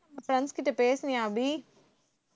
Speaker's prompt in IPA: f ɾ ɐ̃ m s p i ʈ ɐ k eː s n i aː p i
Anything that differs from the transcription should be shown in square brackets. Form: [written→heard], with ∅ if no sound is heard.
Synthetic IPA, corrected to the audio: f ɾ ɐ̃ [m→n] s [p→k] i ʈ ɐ [k→p] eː s n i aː [p→b] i